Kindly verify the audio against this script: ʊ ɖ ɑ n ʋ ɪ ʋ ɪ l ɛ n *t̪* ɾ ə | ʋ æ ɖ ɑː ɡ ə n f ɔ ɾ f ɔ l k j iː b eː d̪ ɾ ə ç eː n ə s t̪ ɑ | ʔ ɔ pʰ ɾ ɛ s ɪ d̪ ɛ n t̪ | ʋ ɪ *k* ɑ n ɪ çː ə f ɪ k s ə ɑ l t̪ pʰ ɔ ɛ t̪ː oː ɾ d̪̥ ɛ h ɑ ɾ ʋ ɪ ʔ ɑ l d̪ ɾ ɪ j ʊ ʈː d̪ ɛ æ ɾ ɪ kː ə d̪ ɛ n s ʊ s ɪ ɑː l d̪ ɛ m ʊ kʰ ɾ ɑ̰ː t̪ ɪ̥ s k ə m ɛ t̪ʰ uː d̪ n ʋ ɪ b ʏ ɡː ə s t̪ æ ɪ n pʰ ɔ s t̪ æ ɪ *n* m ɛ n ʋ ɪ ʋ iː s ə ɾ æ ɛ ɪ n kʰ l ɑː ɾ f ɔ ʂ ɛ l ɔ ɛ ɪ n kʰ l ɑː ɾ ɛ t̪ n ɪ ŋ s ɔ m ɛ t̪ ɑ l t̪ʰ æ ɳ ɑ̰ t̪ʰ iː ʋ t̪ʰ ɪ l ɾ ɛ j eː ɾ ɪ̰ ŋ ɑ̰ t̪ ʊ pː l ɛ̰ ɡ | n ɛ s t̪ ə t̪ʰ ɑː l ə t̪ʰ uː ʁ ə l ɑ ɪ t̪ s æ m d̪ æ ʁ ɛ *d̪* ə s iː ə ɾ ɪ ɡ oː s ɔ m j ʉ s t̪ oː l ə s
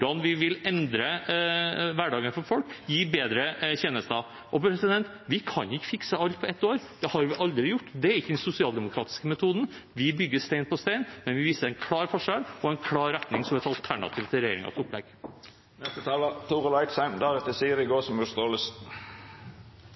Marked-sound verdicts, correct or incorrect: incorrect, incorrect, correct, incorrect

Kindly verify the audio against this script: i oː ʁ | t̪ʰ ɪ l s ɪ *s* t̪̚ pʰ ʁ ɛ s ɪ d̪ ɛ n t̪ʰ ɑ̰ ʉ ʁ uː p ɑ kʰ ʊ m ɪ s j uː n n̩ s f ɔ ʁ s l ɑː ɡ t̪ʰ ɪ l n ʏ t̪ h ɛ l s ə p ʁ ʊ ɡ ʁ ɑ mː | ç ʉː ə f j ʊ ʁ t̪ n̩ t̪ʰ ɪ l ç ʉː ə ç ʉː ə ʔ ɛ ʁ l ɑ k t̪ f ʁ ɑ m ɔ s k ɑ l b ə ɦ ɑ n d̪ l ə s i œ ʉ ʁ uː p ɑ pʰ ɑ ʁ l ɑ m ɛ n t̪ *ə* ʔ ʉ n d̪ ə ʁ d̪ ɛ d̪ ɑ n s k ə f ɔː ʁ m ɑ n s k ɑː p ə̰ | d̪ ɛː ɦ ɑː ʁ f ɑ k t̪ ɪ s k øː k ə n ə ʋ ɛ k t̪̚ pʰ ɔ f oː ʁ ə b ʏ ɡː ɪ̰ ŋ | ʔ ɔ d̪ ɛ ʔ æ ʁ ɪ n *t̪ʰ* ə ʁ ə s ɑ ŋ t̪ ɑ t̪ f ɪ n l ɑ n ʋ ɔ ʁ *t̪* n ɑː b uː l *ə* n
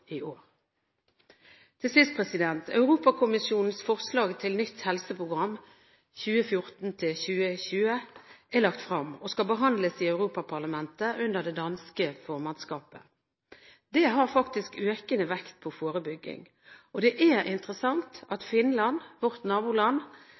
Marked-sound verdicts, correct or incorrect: correct, correct, incorrect, correct, incorrect

